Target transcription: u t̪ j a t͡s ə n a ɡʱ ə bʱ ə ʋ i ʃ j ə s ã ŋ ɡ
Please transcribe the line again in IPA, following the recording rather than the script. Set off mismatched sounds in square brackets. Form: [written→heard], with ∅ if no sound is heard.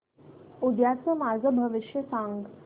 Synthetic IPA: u [t̪→d̪] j a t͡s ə [n→m] a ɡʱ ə bʱ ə ʋ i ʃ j ə s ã ŋ ɡ